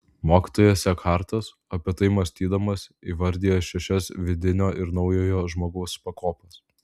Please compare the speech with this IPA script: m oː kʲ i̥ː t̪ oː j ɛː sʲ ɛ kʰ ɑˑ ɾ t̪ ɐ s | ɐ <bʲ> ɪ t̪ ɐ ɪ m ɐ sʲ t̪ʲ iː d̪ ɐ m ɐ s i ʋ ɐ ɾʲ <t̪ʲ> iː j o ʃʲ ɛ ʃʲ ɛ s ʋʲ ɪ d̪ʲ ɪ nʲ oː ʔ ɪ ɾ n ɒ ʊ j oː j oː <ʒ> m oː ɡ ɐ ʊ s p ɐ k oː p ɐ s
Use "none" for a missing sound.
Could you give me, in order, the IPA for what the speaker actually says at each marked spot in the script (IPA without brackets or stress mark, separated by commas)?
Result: pʲ, d̪ʲ, ʒ